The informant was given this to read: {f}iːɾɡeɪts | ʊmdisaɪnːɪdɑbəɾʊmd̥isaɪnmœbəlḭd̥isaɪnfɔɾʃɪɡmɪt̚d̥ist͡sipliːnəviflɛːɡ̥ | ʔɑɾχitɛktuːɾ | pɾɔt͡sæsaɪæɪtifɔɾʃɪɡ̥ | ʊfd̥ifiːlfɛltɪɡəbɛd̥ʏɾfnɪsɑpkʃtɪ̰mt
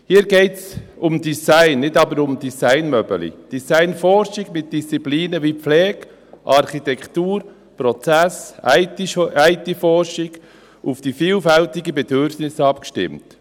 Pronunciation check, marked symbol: incorrect: h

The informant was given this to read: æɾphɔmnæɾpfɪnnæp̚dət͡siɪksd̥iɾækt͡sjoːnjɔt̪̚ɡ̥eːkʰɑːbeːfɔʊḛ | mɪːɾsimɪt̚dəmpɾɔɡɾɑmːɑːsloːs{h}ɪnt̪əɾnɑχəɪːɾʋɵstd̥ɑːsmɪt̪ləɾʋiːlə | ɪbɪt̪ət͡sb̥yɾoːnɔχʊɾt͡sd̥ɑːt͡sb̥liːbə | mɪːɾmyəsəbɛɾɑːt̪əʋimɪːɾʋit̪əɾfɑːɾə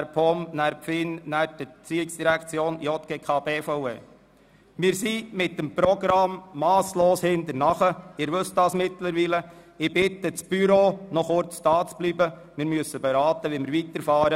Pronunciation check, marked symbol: correct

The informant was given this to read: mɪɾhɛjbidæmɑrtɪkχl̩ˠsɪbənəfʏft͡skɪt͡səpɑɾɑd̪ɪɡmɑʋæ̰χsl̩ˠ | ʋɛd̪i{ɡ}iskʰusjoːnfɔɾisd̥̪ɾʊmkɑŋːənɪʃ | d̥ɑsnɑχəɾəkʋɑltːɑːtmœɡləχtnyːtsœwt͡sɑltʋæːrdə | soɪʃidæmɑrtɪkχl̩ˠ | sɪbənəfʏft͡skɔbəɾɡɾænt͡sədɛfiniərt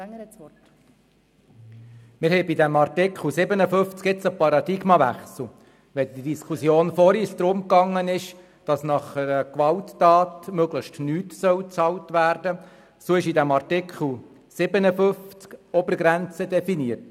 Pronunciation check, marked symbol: incorrect: d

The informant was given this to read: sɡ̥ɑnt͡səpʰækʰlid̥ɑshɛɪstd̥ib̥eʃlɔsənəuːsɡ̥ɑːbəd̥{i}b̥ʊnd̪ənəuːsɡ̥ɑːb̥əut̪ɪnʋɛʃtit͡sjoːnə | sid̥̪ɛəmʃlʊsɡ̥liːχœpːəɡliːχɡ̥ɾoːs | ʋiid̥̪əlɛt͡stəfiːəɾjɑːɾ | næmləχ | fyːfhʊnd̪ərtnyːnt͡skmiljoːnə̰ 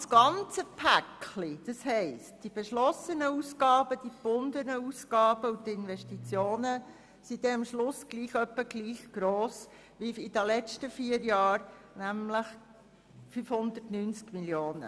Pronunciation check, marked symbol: correct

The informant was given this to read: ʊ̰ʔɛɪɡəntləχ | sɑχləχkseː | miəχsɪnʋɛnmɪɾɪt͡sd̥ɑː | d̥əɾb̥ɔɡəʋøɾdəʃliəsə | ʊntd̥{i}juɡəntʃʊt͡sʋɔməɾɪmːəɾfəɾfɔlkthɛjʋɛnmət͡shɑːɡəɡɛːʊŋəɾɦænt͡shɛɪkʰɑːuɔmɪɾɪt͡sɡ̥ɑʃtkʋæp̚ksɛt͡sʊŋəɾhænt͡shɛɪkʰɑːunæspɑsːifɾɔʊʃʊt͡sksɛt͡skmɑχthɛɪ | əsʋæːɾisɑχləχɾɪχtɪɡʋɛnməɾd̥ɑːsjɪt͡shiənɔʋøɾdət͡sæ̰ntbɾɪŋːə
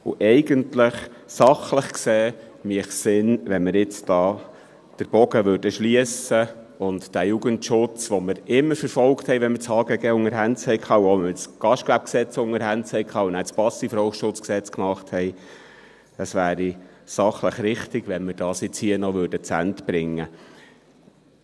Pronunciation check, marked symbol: incorrect: æ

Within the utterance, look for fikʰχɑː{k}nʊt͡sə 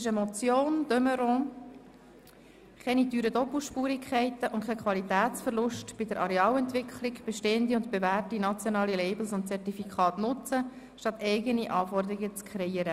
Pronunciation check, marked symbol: incorrect: t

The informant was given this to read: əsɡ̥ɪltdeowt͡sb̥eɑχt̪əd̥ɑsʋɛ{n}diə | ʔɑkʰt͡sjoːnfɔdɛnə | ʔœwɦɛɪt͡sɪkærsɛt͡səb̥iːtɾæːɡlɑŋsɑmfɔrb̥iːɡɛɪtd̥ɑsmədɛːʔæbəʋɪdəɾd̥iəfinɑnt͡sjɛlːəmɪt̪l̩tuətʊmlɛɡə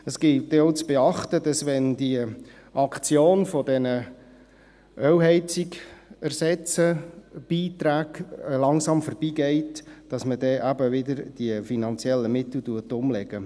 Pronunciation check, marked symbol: correct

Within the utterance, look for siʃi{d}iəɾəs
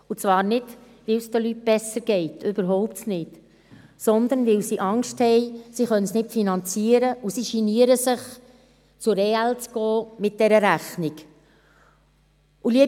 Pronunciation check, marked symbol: incorrect: n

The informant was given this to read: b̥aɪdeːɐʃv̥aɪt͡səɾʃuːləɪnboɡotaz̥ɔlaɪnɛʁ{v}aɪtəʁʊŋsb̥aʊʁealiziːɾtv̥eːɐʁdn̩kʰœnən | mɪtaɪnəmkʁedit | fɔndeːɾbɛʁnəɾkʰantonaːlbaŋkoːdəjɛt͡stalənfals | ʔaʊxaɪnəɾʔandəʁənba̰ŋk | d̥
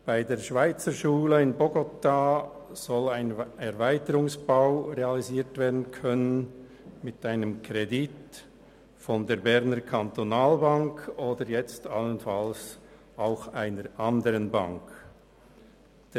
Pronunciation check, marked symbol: correct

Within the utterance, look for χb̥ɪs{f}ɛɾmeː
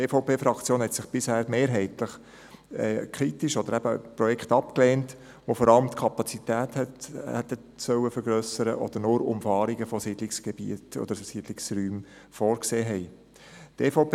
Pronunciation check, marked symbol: incorrect: h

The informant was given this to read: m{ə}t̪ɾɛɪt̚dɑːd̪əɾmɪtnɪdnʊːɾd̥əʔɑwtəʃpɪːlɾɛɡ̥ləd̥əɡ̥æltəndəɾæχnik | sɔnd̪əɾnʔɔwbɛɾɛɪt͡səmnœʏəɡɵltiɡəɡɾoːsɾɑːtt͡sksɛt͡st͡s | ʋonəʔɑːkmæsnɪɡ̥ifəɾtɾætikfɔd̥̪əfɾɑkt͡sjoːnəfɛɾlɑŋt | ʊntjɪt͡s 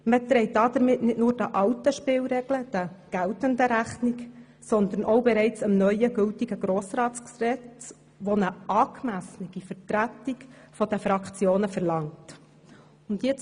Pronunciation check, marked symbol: correct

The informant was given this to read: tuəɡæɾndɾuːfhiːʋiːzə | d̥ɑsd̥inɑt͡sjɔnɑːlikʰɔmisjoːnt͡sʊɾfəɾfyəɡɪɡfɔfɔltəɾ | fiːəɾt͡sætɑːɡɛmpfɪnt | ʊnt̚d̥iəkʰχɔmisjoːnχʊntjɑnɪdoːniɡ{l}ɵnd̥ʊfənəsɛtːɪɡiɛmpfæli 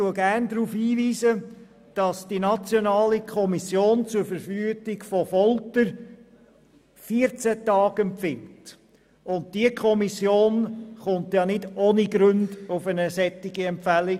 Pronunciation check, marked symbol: incorrect: ɾ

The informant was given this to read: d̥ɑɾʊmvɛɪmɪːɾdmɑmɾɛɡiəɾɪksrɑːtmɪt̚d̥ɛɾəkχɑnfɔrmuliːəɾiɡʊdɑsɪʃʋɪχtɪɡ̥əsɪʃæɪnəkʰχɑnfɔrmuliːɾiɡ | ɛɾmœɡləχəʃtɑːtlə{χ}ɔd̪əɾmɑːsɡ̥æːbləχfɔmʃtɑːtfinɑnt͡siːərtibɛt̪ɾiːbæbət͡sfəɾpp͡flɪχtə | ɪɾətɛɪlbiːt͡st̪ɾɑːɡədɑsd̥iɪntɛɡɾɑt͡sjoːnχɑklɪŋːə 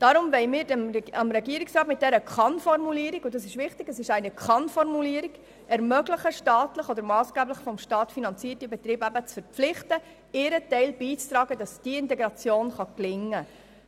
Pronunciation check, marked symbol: correct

